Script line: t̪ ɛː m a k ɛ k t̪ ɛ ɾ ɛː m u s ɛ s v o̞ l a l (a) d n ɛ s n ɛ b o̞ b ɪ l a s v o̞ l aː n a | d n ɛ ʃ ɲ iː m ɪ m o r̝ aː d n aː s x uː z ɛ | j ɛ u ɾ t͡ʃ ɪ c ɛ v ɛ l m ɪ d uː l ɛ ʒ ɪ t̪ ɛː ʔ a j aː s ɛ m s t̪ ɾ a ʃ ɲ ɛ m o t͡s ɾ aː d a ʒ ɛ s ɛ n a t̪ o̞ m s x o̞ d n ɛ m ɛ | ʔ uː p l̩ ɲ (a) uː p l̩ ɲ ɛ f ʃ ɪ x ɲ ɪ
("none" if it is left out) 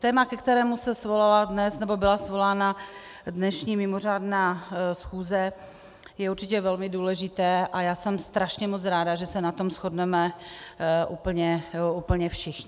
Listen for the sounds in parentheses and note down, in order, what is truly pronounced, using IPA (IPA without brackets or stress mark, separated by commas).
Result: a, ɛ